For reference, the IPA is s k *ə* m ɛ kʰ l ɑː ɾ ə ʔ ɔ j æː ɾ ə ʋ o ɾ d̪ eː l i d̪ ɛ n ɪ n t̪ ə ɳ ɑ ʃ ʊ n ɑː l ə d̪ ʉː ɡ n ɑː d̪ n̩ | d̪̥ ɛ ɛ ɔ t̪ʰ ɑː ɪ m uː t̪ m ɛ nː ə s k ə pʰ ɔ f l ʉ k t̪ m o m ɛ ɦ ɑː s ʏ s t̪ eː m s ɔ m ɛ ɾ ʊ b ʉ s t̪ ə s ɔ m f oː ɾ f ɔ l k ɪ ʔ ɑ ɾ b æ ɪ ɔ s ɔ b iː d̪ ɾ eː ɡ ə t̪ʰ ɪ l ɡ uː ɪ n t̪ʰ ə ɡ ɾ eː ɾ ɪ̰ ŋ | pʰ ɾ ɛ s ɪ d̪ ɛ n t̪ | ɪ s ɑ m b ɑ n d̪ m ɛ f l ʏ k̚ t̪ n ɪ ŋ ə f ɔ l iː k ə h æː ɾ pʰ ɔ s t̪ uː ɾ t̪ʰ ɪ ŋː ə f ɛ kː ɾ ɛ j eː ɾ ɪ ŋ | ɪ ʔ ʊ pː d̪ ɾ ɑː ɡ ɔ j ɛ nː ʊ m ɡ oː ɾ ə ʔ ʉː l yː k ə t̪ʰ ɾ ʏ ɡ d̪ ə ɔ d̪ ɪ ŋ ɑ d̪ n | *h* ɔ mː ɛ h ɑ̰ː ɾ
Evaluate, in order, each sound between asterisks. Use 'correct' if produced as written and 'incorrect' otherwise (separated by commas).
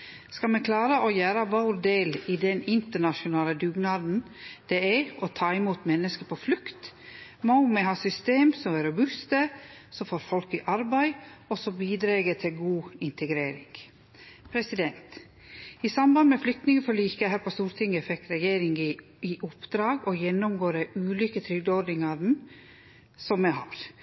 incorrect, incorrect